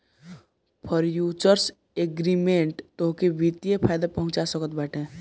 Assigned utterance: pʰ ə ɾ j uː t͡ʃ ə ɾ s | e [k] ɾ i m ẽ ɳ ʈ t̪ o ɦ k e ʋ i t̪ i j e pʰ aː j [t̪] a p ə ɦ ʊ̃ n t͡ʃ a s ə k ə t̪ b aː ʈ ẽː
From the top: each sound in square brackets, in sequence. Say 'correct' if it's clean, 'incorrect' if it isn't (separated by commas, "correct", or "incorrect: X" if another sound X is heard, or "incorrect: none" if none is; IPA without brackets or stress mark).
incorrect: ɡ, incorrect: d̪